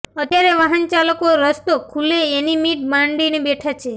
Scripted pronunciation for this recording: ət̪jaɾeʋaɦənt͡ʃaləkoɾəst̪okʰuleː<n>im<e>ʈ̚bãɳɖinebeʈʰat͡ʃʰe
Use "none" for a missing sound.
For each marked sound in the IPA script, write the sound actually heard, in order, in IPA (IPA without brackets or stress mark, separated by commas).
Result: n, i